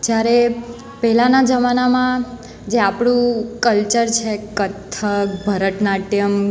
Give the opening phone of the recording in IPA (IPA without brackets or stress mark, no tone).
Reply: d͡ʒ